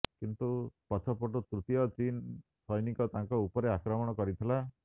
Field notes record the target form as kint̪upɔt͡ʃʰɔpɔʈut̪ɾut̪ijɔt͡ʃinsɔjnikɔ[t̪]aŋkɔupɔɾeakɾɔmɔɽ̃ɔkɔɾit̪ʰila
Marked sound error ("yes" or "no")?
no